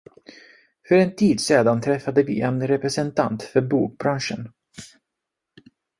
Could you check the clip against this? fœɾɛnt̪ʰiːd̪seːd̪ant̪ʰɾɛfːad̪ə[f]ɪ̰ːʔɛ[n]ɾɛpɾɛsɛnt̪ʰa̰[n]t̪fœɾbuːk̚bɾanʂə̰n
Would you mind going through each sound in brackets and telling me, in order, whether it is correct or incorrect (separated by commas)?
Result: incorrect, correct, correct